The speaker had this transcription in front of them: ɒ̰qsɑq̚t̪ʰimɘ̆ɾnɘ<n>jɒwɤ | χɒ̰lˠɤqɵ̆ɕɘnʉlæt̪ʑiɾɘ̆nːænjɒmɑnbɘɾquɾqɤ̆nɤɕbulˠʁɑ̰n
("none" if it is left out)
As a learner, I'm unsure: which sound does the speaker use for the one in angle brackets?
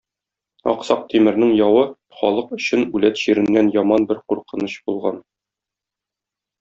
ŋ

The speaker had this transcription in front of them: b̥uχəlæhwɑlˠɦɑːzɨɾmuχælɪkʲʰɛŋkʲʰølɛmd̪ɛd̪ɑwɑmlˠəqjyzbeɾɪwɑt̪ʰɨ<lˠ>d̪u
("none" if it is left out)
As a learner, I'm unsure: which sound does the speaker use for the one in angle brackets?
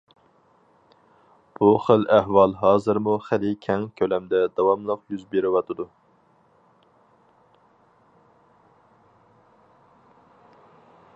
none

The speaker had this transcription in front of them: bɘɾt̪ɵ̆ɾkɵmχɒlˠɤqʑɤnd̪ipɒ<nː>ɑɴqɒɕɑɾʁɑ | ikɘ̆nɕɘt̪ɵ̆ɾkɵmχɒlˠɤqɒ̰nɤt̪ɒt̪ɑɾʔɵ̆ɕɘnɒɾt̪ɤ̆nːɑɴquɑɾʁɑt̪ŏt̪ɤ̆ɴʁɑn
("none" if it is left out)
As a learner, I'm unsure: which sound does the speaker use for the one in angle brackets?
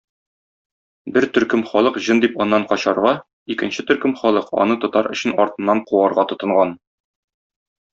nː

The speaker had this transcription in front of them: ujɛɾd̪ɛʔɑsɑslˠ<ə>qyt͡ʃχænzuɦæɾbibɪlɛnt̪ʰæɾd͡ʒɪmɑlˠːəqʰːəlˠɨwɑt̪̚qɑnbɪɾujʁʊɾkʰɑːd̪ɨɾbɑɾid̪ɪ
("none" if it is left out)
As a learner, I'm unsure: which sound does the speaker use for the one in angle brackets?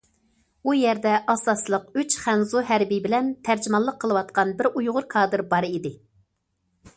ə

